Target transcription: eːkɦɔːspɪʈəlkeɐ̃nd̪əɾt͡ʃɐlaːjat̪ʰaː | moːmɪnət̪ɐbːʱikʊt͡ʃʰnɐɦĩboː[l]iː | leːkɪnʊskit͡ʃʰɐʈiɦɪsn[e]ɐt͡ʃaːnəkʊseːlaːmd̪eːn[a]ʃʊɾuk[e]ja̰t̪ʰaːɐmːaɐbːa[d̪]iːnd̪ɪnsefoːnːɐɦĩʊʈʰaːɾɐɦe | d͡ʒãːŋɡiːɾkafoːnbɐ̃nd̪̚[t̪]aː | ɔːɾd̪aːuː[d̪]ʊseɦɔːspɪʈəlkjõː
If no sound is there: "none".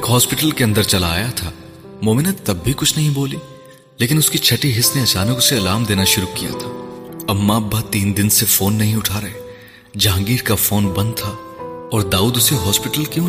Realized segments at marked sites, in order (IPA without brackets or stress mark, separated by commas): l, e, a, i, t̪, t̪ʰ, d̪